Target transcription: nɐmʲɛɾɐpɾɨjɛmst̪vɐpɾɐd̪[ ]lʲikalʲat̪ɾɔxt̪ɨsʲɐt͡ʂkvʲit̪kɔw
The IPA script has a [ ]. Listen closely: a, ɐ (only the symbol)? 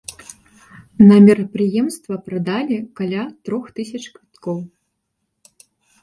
a